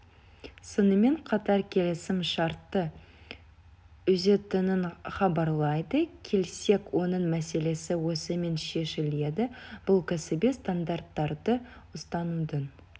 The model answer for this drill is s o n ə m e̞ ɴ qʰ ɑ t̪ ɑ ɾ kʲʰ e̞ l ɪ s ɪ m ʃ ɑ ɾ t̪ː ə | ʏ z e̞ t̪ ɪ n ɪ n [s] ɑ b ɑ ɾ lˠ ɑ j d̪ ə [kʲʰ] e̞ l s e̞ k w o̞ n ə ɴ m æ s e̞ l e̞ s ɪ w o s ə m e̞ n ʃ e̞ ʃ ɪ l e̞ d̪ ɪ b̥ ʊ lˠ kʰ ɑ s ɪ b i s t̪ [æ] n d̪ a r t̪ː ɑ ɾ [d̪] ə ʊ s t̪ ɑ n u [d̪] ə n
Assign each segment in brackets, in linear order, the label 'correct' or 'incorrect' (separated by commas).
incorrect, correct, incorrect, correct, correct